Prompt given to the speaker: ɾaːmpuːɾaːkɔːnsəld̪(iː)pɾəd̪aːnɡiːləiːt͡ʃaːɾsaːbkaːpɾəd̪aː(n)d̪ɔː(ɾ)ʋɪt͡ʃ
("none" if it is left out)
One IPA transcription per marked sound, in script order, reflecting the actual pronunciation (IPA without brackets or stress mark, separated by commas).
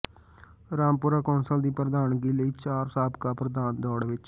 iː, n, ɽ